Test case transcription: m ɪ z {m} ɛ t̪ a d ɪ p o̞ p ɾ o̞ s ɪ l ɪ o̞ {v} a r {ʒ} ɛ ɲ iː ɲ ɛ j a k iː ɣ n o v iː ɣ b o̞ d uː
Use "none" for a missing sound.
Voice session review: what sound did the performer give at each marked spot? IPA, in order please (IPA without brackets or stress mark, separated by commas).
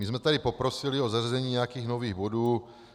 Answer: m, z, z